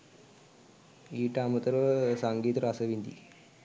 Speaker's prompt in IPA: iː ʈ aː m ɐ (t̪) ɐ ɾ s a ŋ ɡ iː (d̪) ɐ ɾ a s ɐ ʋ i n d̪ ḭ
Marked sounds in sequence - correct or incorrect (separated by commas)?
correct, incorrect